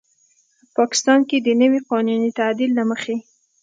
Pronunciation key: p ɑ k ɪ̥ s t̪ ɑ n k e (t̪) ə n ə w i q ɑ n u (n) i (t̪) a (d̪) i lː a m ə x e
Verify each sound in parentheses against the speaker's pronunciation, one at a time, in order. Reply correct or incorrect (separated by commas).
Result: incorrect, correct, correct, correct